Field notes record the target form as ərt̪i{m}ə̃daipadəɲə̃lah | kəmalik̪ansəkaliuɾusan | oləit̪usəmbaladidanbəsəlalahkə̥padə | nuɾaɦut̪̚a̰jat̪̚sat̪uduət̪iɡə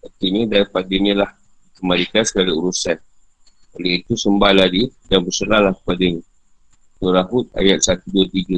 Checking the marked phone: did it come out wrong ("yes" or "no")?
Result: yes